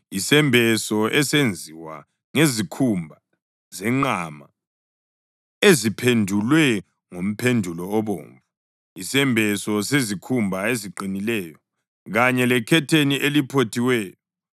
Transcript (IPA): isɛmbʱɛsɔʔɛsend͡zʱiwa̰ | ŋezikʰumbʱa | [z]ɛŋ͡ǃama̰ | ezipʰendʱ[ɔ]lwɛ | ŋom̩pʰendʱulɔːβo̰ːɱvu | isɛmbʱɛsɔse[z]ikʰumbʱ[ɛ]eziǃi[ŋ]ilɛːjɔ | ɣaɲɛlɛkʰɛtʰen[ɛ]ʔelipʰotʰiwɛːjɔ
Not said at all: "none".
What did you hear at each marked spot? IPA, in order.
z, u, z, a, n, i

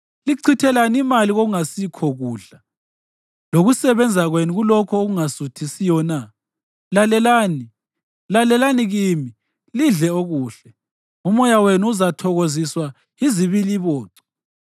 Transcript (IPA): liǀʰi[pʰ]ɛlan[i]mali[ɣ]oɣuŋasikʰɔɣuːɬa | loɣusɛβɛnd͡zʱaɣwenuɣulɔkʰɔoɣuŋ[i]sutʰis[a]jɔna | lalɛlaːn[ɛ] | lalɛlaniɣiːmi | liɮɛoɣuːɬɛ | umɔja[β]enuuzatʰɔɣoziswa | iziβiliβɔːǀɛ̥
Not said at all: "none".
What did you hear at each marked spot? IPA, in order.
tʰ, i, ɣ, a, i, i, w

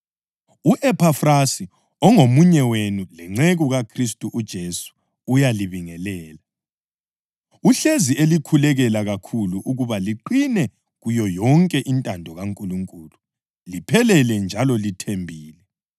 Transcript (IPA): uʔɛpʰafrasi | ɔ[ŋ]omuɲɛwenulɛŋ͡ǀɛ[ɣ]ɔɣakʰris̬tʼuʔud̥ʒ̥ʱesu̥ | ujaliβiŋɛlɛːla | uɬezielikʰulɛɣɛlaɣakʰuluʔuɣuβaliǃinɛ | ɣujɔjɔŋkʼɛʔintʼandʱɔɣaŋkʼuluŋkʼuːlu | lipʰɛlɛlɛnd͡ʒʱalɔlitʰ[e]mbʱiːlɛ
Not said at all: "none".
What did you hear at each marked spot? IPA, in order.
ŋ, ɣ, e

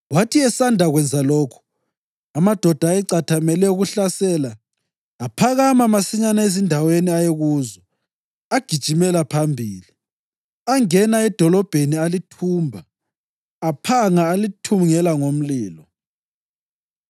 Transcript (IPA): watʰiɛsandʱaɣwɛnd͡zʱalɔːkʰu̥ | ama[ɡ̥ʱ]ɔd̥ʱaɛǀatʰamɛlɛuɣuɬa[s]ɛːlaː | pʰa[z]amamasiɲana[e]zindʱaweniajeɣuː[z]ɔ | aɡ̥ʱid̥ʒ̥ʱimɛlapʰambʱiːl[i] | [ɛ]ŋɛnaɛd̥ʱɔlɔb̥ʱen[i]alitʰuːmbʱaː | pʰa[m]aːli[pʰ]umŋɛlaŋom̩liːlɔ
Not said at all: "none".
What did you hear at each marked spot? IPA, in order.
d̥ʱ, s, ɣ, e, z, i, a, i, ŋ, tʰ

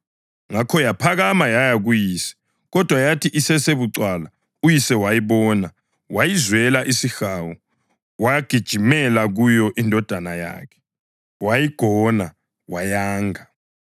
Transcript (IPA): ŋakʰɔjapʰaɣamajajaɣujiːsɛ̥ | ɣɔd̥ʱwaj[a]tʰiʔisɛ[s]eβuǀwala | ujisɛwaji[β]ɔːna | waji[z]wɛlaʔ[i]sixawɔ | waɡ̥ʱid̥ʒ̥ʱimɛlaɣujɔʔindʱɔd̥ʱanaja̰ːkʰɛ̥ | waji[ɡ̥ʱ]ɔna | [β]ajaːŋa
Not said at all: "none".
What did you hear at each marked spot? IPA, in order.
a, s, β, z, i, ɡ̥ʱ, w

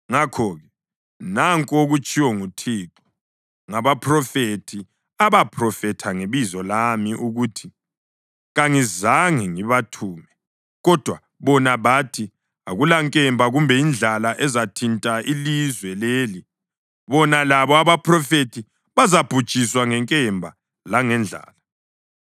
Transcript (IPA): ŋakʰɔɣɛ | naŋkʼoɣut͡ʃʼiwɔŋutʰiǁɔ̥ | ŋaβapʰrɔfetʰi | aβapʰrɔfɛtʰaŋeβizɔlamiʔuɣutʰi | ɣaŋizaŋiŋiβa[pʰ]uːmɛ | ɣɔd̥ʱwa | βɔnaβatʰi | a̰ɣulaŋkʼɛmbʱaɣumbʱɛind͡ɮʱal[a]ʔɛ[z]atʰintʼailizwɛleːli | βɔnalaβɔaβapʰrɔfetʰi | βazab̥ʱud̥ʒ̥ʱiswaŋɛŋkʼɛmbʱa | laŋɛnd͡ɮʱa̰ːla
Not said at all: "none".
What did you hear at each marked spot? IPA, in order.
tʰ, a, z

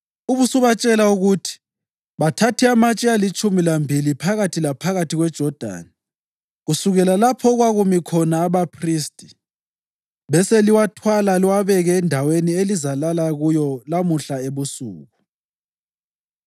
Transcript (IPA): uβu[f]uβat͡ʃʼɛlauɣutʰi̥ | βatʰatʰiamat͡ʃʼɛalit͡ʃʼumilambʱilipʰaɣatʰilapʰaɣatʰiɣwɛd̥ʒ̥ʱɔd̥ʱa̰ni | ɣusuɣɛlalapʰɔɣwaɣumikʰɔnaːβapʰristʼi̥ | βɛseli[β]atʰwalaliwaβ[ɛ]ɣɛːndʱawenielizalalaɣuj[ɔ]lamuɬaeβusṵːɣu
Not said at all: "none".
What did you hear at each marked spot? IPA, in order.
s, w, ɛ, ɔ

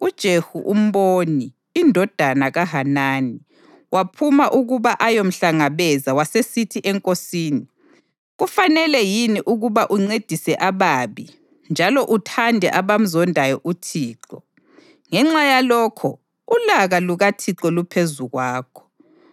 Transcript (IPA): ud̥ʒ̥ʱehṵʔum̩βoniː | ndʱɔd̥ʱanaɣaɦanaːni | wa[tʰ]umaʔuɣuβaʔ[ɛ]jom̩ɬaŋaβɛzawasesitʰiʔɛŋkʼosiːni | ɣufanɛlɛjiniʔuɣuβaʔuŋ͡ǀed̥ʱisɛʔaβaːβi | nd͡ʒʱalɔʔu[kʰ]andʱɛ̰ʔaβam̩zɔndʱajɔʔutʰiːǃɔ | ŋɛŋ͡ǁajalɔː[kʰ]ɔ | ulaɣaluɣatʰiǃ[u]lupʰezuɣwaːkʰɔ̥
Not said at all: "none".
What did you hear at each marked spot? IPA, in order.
pʰ, a, tʰ, kʰ, ɔ

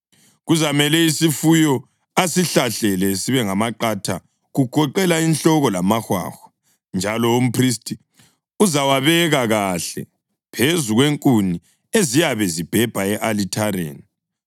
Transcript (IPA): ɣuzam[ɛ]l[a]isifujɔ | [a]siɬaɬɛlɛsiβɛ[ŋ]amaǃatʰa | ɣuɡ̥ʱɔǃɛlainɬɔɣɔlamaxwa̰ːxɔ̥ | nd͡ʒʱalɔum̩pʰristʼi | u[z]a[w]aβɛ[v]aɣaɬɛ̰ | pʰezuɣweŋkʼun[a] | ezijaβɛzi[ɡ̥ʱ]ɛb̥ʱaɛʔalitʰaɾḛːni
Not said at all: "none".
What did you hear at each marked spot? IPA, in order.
ɛ, ɛ, a, ŋ, z, w, ɣ, i, b̥ʱ

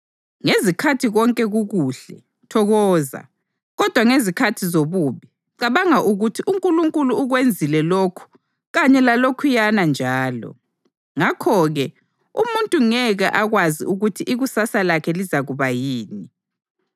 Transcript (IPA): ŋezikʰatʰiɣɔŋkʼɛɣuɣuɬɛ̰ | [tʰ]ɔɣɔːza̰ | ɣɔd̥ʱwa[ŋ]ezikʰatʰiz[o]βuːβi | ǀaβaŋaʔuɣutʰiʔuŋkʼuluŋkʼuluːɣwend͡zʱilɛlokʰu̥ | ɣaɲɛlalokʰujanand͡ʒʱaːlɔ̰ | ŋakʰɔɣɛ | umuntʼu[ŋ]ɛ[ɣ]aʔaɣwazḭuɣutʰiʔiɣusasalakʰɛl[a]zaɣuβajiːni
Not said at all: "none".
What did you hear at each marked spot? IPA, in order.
tʰ, ŋ, o, ŋ, ɣ, i

